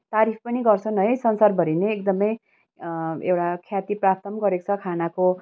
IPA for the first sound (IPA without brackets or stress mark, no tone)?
t̪